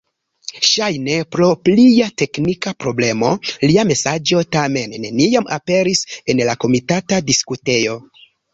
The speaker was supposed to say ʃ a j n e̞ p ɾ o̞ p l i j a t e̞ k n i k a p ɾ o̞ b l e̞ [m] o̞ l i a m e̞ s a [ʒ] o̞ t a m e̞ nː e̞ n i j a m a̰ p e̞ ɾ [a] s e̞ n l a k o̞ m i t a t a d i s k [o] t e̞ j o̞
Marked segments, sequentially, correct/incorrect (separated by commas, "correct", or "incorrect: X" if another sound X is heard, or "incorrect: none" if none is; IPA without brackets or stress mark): correct, incorrect: d͡ʒ, incorrect: i, incorrect: u